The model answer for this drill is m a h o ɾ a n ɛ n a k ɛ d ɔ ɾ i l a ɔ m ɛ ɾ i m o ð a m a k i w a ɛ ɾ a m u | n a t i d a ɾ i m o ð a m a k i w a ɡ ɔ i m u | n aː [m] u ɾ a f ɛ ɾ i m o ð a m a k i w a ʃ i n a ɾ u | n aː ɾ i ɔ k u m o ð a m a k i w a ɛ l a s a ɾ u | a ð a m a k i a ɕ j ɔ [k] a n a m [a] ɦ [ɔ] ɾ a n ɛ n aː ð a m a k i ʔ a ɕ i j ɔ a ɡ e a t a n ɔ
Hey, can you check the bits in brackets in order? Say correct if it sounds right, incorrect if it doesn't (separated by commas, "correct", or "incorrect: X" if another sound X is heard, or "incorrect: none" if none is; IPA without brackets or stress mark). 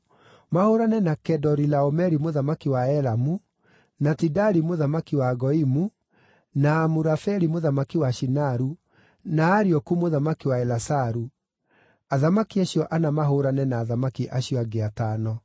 correct, incorrect: ʔ, correct, incorrect: o